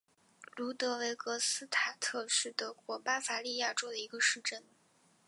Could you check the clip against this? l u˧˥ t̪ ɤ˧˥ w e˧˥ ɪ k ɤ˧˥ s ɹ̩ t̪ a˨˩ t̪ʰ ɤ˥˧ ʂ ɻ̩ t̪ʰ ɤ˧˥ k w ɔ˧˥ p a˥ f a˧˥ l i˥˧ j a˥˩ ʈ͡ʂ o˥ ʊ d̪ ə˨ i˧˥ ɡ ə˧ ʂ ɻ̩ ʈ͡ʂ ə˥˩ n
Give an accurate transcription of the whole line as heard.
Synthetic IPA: l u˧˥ t̪ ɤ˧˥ w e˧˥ ɪ k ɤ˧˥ s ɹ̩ t̪ʰ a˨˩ t̪ʰ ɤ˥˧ ʂ ɻ̩ t̪ ɤ˧˥ k w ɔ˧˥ p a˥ f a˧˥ l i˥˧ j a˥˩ ʈ͡ʂ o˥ ʊ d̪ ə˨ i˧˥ ɡ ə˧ ʂ ɻ̩ ʈ͡ʂ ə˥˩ n

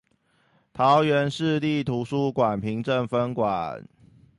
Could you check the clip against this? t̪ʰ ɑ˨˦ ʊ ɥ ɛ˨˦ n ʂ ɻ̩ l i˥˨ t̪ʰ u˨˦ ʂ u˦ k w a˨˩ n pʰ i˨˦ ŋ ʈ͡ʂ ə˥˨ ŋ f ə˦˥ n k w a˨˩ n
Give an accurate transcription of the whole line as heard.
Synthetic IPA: t̪ʰ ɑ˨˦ ʊ ɥ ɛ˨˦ n ʂ ɻ̩ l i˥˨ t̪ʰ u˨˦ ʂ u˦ k w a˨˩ n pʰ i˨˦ ŋ ʈ͡ʂ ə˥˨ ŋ f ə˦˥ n k w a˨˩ n

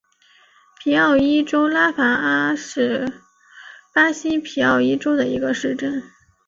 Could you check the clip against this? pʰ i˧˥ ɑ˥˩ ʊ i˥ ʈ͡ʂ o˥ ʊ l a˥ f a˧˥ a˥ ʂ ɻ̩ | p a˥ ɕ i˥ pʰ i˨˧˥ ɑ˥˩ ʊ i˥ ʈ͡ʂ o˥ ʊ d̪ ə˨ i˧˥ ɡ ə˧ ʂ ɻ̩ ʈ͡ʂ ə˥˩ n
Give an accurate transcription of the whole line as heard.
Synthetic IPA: pʰ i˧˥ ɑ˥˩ ʊ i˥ ʈ͡ʂ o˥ ʊ l a˥ f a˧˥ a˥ ʂ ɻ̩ | p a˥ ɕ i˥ pʰ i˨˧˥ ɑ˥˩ ʊ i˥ ʈ͡ʂ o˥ ʊ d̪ ə˨ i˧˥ ɡ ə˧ ʂ ɻ̩ ʈ͡ʂ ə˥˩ n

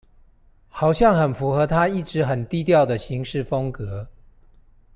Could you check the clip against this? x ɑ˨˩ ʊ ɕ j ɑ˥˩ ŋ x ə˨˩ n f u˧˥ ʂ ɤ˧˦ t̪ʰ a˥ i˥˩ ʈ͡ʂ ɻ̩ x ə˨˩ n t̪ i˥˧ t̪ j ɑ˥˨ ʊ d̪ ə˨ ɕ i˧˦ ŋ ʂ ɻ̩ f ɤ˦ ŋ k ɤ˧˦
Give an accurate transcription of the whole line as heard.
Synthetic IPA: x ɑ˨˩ ʊ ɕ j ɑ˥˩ ŋ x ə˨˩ n f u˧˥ x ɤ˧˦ t̪ʰ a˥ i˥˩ ʈ͡ʂ ɻ̩ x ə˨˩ n t̪ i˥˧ t̪ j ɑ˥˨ ʊ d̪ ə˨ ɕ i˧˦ ŋ ʂ ɻ̩ f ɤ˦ ŋ k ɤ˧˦

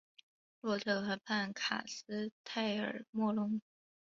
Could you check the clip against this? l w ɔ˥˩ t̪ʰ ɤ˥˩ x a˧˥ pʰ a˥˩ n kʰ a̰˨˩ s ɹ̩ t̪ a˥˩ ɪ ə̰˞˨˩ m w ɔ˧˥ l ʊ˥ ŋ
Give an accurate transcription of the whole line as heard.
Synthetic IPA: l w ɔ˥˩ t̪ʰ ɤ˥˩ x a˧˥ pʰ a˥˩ n kʰ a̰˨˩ s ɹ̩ t̪ʰ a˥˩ ɪ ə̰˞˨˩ m w ɔ˥˧ l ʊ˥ ŋ

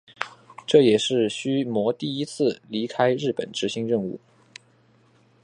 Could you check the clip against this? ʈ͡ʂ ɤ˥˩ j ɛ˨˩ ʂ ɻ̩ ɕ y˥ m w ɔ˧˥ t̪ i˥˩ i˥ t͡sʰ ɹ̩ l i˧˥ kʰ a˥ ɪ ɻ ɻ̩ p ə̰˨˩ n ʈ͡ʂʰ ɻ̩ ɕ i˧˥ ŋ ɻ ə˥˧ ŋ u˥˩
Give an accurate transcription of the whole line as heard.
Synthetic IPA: ʈ͡ʂ ɤ˥˩ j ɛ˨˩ ʂ ɻ̩ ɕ y˥ m w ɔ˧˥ t̪ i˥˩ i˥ t͡sʰ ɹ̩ l i˧˥ kʰ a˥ ɪ ɻ ɻ̩ p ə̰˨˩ n ʈ͡ʂ ɻ̩ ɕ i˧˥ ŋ ɻ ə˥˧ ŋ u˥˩

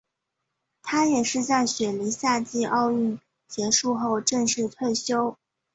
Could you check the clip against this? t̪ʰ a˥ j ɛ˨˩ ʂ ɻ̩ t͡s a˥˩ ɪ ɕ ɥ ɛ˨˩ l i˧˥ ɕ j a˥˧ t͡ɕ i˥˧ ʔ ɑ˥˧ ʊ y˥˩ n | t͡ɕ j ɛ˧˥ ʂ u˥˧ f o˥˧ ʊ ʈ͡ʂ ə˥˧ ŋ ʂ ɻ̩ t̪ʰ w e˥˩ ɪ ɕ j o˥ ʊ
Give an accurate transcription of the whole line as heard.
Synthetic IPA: t̪ʰ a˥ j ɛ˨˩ ʂ ɻ̩ t͡s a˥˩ ɪ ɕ ɥ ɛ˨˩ l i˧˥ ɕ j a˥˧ t͡ɕ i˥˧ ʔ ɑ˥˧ ʊ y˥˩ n | t͡ɕ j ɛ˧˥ ʂ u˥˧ x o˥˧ ʊ ʈ͡ʂ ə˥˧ ŋ ʂ ɻ̩ t̪ʰ w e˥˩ ɪ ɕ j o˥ ʊ

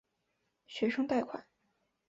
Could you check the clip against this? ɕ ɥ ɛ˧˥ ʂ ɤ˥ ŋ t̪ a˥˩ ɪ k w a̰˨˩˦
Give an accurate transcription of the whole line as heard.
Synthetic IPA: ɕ ɥ ɛ˧˥ ʂ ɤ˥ ŋ t̪ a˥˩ ɪ kʰ w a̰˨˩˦

